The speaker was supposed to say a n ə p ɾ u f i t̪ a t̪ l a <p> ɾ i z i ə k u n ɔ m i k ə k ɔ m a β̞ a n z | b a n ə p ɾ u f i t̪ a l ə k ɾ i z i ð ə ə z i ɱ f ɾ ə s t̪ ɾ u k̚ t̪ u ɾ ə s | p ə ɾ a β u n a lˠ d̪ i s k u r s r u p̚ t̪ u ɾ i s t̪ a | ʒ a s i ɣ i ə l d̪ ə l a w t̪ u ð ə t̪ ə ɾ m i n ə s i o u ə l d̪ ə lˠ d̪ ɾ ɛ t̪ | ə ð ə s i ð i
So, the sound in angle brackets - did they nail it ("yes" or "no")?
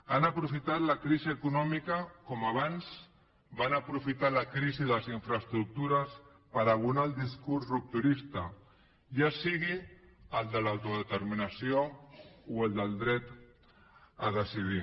no